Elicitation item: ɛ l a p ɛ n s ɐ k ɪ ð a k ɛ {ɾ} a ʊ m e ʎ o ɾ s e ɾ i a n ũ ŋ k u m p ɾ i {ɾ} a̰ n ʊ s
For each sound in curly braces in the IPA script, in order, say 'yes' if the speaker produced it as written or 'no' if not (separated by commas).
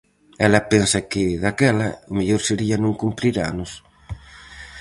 no, yes